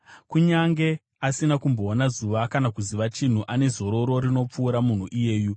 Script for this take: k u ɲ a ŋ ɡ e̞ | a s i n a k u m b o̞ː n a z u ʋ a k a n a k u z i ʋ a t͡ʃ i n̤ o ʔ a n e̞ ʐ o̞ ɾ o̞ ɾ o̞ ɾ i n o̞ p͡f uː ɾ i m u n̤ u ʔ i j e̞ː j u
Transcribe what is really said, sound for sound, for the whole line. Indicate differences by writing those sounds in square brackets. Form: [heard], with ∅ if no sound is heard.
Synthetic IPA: k u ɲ a ŋ ɡ e̞ | a s i n a k u m b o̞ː n a z u ʋ a k a n a k u z i ʋ a t͡ʃ i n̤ [u] ʔ a n e̞ [z] o̞ ɾ o̞ ɾ o̞ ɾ i n o̞ p͡f uː ɾ [a] m u n̤ u ʔ i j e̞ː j u